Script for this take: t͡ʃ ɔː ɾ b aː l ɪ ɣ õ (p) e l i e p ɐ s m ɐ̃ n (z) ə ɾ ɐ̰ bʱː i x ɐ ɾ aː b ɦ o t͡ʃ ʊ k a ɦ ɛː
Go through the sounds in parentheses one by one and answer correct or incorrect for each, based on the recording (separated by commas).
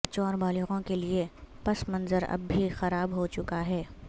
incorrect, correct